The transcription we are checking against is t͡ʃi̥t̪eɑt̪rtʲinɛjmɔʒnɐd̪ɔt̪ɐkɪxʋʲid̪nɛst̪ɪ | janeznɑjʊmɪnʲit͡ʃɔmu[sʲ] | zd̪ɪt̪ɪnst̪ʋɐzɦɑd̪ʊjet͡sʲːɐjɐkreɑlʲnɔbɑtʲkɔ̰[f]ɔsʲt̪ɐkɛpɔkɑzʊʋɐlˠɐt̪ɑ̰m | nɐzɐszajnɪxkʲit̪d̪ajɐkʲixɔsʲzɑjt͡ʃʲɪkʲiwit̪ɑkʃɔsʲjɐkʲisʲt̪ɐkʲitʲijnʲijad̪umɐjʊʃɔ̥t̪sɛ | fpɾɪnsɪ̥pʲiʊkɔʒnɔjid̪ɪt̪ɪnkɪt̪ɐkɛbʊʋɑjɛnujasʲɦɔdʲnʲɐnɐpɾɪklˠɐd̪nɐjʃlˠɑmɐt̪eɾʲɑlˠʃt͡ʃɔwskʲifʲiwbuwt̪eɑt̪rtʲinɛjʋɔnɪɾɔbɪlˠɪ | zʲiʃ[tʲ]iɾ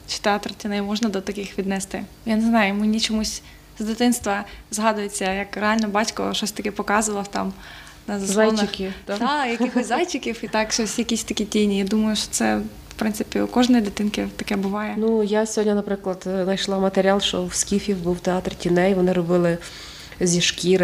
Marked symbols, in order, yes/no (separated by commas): yes, no, no